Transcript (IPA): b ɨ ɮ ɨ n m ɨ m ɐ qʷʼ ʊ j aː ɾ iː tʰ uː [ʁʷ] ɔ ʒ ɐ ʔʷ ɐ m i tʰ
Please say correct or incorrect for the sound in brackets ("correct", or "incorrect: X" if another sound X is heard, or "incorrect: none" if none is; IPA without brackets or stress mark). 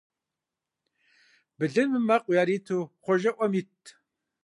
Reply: incorrect: χʷ